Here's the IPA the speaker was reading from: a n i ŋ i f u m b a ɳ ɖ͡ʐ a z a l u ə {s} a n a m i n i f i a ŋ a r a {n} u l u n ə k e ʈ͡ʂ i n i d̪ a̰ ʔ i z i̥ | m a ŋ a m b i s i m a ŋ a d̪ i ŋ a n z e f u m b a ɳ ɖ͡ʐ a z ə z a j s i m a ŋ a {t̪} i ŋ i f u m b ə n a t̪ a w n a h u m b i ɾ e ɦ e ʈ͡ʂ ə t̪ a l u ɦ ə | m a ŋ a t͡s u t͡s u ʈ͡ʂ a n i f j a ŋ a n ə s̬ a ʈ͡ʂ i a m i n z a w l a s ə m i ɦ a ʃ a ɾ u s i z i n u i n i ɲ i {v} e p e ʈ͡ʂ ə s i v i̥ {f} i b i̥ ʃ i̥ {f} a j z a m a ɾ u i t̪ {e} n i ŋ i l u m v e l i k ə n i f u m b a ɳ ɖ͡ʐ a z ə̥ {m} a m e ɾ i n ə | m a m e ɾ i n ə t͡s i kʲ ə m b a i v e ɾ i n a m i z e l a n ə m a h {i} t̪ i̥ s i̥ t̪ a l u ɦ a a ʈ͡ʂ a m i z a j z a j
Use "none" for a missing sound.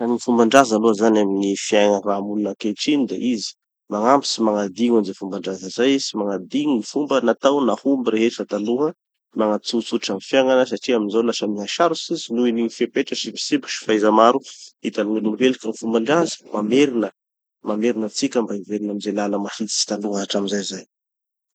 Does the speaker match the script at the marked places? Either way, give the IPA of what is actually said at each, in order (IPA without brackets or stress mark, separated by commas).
z, m, d̪, f, s, f, a, m, i